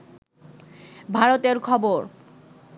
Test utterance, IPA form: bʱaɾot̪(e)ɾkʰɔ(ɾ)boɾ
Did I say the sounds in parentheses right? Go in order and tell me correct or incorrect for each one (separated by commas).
correct, incorrect